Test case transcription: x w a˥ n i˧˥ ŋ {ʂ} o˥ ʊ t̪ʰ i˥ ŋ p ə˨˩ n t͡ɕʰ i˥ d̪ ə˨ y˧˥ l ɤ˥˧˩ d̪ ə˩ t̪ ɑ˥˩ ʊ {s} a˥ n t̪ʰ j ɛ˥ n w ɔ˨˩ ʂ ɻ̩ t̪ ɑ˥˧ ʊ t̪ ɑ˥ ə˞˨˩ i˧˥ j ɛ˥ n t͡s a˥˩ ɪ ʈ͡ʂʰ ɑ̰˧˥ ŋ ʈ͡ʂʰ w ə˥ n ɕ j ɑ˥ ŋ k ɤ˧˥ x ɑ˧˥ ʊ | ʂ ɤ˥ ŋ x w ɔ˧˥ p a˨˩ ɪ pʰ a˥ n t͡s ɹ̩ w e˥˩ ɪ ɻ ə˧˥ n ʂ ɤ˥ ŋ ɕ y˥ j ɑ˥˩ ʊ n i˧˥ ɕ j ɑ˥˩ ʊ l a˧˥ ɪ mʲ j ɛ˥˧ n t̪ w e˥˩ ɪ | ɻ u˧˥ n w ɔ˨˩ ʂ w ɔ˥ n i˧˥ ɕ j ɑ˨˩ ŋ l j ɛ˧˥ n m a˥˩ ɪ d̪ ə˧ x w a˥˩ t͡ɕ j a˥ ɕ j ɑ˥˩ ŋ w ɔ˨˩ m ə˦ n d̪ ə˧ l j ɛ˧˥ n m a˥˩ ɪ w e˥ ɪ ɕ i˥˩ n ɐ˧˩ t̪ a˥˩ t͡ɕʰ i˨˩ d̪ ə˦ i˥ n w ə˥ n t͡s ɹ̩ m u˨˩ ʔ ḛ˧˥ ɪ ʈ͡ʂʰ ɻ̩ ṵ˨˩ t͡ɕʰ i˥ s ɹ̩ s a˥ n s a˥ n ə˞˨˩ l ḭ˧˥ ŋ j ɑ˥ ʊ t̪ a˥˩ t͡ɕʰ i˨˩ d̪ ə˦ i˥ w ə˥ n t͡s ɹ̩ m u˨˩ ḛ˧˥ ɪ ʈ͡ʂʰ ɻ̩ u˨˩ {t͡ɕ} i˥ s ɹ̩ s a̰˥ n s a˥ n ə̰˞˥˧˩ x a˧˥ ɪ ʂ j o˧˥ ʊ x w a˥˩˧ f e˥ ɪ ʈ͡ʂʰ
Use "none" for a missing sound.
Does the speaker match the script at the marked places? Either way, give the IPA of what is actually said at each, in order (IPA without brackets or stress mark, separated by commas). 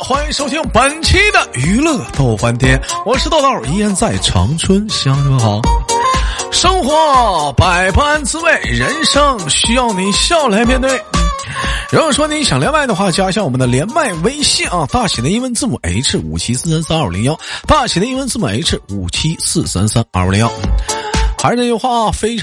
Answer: ʂ, f, t͡ɕʰ